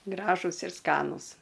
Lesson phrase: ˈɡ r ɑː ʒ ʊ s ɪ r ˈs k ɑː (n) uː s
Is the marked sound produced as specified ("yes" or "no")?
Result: yes